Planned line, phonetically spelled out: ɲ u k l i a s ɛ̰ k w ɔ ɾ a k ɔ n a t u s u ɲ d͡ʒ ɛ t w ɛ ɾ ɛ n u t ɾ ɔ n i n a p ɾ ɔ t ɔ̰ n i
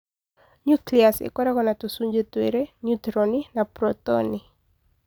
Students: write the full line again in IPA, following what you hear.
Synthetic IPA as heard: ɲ u k l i a s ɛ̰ k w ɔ ɾ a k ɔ n a t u s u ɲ d͡ʒ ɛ t w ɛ ɾ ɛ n u t ɾ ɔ n i n a p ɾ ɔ t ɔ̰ n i